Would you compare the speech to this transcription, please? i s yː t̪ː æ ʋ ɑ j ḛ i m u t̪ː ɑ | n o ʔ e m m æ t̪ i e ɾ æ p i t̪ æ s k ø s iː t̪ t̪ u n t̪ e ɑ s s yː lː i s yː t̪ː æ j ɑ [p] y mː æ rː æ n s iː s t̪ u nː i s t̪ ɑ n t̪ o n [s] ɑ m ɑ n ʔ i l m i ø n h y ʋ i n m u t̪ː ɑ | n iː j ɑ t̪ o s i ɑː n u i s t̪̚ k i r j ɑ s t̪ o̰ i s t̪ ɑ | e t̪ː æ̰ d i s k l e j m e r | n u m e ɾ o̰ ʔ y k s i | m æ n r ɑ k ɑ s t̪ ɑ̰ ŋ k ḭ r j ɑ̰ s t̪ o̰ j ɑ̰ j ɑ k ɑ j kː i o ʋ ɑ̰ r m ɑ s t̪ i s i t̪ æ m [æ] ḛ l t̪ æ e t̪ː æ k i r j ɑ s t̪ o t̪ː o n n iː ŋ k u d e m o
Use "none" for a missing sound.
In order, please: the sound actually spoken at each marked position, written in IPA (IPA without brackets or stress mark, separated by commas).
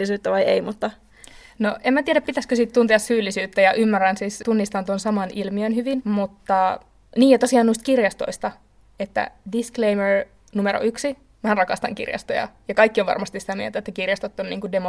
ʔ, s, i